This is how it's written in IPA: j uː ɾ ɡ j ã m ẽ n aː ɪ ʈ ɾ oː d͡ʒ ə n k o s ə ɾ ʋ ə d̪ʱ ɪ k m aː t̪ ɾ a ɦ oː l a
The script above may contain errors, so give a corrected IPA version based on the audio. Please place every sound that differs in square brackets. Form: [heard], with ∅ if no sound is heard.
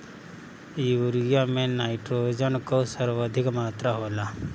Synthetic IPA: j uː ɾ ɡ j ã m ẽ n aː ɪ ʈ ɾ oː d͡ʒ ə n k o s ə ɾ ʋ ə d̪ʱ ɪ k m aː t̪ ɾ a ɦ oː l a